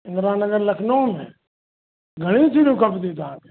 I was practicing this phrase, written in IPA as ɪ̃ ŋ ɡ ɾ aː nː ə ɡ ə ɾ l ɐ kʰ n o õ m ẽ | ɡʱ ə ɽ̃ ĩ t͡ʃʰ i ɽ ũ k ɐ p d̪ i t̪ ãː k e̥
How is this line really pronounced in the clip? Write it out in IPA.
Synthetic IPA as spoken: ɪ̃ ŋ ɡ ɾ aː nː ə ɡ ə ɾ l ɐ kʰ n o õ m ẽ | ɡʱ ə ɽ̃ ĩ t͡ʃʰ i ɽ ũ k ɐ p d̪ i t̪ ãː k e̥